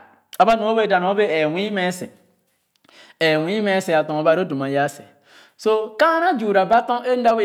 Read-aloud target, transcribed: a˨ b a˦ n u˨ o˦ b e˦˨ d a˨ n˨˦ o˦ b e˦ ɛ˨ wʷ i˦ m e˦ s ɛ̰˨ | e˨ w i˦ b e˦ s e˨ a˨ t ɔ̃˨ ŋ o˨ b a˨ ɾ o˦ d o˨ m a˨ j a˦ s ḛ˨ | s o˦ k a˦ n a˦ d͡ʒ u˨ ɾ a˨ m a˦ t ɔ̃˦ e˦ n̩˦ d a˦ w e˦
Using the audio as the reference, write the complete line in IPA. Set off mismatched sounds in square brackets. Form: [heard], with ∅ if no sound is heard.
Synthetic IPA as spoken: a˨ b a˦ n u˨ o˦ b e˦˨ d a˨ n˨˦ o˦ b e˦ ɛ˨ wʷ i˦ m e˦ s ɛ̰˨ | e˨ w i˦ [m] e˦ s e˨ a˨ t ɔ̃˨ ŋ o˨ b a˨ ɾ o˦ d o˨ m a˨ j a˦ s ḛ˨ | s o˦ k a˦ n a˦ d͡ʒ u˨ ɾ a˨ [b] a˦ t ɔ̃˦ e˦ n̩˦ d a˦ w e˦